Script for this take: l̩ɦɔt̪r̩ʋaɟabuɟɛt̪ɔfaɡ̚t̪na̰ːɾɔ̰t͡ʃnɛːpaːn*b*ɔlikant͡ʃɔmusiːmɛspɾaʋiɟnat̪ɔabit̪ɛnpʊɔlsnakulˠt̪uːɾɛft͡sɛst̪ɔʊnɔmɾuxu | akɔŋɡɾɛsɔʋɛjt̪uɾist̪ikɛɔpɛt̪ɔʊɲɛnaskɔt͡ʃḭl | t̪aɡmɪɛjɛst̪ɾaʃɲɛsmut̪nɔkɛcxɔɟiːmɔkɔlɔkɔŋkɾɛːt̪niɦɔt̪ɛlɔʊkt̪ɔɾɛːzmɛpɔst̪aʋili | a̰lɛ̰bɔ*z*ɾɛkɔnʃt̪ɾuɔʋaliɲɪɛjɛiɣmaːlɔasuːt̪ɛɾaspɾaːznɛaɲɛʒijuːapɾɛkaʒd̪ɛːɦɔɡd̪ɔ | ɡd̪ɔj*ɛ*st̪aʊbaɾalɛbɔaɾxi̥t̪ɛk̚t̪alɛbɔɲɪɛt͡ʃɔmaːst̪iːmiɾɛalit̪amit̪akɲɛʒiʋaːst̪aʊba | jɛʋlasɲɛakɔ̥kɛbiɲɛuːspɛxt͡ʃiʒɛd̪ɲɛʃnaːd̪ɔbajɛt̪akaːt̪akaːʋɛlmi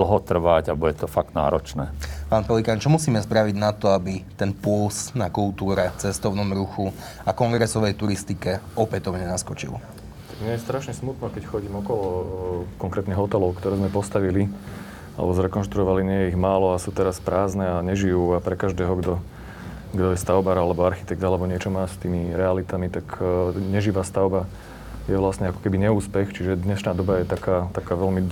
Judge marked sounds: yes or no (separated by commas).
no, yes, yes